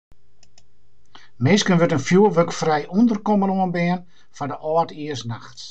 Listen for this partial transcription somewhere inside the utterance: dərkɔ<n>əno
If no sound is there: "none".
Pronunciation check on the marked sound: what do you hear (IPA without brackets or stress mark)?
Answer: m